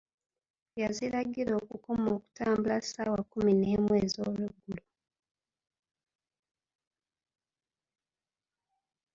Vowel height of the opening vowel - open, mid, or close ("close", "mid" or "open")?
open